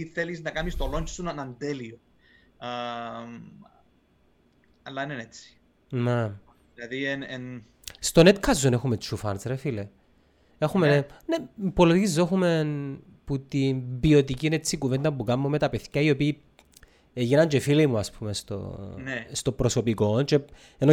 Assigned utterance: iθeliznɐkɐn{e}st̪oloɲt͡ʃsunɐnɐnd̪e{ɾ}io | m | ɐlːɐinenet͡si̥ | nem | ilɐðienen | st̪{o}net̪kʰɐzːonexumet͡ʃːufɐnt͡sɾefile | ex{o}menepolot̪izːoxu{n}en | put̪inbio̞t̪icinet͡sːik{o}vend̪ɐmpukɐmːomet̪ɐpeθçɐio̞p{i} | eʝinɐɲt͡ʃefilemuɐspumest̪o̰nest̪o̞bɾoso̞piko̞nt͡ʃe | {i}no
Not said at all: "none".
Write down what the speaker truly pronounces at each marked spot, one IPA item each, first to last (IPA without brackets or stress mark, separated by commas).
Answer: i, l, o, u, m, u, iː, e